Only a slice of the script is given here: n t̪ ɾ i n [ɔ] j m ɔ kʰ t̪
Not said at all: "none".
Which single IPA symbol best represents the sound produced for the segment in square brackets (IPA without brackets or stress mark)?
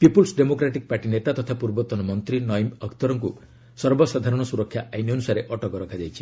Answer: ɔ